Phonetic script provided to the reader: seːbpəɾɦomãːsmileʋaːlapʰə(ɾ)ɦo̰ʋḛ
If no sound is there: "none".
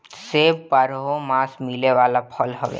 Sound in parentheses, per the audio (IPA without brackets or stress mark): l